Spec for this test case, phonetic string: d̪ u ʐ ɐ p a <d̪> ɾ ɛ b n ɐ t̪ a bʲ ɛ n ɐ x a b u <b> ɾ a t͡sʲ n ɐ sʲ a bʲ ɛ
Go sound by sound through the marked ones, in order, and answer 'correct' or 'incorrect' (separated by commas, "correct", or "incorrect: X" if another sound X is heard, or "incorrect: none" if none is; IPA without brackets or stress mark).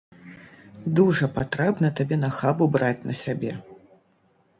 incorrect: t̪, correct